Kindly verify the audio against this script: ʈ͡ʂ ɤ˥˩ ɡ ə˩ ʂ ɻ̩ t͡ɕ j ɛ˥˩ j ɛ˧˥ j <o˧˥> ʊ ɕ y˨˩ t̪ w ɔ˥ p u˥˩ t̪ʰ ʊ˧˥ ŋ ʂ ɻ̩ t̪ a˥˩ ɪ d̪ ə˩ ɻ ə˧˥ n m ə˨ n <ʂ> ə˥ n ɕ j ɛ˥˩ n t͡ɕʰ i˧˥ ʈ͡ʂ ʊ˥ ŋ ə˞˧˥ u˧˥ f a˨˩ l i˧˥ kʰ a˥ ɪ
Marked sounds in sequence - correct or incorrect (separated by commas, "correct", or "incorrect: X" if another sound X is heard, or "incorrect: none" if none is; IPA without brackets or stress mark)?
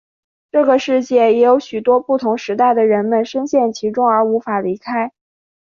correct, correct